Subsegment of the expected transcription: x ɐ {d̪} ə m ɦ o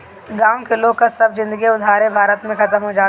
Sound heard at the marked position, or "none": t̪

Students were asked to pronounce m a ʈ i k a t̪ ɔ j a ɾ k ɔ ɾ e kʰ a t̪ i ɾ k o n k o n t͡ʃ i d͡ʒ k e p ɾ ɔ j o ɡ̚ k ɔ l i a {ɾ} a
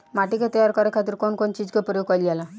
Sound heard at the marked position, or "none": l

